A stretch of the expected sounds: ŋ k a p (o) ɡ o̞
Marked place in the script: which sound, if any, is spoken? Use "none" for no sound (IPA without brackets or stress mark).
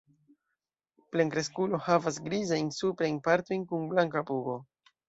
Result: u